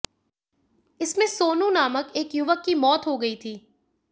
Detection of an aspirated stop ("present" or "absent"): present